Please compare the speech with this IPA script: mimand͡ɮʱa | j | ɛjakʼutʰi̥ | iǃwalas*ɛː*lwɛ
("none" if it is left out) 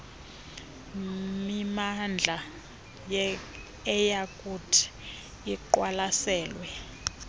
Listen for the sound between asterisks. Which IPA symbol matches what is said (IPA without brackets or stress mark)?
ɛː